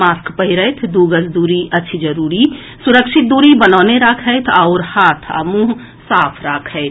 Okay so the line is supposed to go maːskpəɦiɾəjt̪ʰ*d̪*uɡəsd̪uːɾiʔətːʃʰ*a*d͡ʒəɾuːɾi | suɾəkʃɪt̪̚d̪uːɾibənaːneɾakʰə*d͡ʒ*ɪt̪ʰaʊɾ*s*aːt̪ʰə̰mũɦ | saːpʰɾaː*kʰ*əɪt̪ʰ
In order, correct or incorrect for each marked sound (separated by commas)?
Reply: correct, incorrect, incorrect, incorrect, correct